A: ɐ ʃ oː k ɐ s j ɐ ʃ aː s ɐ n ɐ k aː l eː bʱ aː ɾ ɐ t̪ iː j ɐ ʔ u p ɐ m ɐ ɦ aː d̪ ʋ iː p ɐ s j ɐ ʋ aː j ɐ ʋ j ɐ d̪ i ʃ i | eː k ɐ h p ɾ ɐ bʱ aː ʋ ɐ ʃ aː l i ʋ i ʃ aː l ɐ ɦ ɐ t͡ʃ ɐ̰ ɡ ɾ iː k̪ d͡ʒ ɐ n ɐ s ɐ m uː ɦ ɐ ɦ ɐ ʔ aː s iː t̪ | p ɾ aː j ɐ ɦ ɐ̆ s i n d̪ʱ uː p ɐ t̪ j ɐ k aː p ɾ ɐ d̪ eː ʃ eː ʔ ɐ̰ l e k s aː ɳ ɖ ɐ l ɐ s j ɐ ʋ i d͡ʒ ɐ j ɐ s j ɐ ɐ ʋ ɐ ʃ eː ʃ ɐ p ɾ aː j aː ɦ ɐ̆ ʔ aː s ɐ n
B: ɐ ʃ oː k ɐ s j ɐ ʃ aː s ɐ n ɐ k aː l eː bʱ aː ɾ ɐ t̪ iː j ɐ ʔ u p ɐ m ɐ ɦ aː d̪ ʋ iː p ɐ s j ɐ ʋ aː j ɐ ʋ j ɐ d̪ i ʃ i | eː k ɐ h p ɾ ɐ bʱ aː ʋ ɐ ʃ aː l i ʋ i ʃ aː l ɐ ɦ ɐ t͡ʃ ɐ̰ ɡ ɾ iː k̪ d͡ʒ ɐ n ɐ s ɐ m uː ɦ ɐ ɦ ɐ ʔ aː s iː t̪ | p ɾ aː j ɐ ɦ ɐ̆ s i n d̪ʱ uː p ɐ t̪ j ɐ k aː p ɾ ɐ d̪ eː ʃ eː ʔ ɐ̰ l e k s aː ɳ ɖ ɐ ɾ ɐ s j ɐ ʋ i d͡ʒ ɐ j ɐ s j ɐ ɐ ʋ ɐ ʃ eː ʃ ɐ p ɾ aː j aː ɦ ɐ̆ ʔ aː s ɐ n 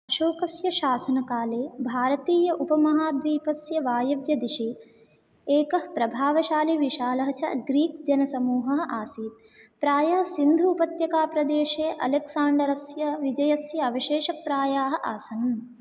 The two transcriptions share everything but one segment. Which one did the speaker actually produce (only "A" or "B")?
B